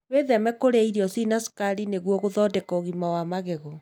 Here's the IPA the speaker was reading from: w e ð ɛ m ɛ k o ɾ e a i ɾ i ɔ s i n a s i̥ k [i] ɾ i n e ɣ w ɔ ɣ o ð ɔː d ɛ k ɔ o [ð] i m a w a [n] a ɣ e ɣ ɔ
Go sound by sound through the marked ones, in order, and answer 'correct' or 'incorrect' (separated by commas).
incorrect, incorrect, incorrect